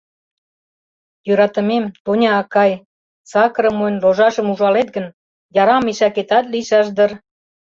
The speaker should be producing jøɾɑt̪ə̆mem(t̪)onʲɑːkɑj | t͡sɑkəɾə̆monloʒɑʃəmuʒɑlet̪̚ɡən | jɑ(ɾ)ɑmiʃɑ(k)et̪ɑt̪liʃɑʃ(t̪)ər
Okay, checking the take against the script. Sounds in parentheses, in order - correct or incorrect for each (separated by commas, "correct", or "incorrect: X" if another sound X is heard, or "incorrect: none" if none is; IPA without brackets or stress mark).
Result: correct, correct, correct, incorrect: d̪